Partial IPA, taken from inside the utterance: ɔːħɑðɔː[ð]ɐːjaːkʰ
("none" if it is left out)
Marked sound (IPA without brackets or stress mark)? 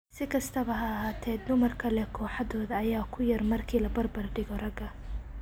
ð